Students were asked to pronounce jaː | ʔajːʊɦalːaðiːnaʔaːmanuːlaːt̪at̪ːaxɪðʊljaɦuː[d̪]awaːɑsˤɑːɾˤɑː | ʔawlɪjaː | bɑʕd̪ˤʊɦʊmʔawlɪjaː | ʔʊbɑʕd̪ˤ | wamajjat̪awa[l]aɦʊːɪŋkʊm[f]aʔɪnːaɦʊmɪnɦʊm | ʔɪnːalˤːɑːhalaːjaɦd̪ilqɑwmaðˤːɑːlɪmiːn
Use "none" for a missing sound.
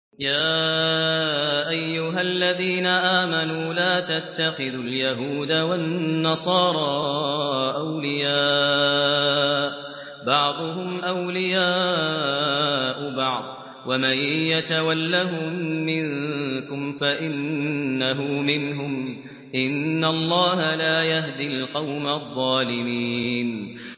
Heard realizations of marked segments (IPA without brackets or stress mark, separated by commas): d̪, lː, f